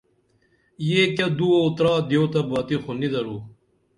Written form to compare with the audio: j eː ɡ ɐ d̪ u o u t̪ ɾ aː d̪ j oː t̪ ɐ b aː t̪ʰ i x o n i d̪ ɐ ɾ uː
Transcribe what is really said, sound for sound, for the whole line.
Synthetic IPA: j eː k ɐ d̪ u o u t̪ ɾ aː d̪ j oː t̪ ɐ b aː t̪ i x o n i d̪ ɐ ɾ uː

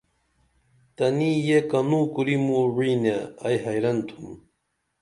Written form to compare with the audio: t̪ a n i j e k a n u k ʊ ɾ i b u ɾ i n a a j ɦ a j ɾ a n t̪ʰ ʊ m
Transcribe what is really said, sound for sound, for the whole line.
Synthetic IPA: t̪ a n i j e k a n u k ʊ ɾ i m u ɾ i n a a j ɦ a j ɾ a n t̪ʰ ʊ m

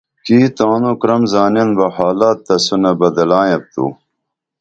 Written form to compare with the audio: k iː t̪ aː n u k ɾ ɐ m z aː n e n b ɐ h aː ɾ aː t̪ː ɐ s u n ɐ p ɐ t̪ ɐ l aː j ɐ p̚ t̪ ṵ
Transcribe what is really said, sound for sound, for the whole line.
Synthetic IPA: k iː t̪ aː n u k ɾ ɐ m z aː n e n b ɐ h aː l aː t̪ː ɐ s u n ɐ b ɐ d̪ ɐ l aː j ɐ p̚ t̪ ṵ

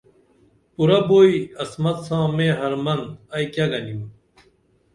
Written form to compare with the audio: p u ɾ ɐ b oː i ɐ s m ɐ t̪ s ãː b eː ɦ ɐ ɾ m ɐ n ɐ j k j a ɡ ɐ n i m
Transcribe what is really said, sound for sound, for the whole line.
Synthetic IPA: p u ɾ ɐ b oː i ɐ s m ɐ t̪ s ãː m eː ɦ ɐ ɾ m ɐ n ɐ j k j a ɡ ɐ n i m

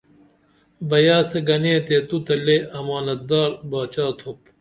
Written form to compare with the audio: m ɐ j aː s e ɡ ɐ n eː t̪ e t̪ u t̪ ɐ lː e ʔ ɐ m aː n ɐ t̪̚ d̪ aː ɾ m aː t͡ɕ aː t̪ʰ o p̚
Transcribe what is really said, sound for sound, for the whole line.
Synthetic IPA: b ɐ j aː s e ɡ ɐ n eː t̪ e t̪ u t̪ ɐ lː e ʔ ɐ m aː n ɐ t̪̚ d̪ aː ɾ b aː t͡ɕ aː t̪ʰ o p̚

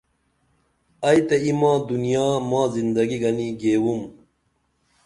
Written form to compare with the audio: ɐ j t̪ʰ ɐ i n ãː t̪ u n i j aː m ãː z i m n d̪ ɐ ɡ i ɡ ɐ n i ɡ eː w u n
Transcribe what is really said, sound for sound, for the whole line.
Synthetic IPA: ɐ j t̪ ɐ i m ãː d̪ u n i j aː m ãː z i n d̪ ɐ ɡ i ɡ ɐ n i ɡ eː w u m

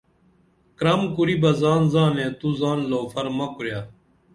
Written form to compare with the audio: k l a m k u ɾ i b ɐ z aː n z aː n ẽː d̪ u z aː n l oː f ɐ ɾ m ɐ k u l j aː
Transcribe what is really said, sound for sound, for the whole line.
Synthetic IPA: k ɾ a m k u ɾ i b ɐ z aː n z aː n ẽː t̪ u z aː n l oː f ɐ ɾ m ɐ k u ɾ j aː

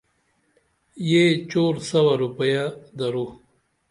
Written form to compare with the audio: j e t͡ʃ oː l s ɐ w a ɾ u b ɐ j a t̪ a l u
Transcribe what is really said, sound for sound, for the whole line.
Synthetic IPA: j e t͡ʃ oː ɾ s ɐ w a ɾ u p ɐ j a d̪ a ɾ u

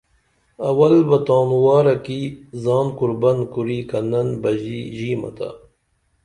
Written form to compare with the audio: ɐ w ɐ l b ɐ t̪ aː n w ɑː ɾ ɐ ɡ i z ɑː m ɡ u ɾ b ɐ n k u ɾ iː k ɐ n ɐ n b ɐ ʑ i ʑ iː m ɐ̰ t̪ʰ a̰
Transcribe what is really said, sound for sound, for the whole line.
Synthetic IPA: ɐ w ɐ l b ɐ t̪ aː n w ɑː ɾ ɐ k i z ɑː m k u ɾ b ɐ n k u ɾ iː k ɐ n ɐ n b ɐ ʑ i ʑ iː m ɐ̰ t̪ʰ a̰

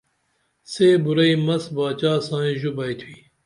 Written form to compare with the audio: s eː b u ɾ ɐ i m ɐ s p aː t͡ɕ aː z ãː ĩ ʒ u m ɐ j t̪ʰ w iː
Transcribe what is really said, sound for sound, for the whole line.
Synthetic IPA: s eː b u ɾ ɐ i m ɐ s b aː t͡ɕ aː s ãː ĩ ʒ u b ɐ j t̪ʰ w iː

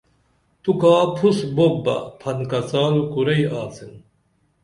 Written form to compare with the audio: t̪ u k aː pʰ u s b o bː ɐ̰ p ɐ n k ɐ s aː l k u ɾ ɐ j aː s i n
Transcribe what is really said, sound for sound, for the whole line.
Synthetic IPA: t̪ u k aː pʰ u s b o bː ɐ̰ pʰ ɐ n k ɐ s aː l k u ɾ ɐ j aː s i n

